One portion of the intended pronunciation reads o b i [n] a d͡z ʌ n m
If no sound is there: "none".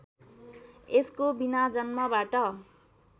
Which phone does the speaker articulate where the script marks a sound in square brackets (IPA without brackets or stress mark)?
n